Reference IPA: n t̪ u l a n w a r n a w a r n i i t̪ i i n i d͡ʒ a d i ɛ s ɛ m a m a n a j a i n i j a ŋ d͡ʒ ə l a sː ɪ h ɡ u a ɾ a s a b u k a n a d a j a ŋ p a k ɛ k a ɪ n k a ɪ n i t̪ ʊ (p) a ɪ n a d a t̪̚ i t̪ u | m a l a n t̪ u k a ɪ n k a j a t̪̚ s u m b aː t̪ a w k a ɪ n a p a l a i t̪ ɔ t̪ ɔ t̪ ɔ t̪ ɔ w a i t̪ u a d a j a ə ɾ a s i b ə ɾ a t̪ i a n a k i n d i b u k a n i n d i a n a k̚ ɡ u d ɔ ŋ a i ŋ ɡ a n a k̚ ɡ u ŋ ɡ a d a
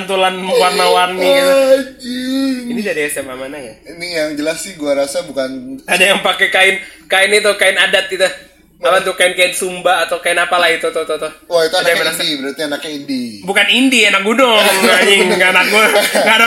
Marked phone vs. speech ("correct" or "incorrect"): incorrect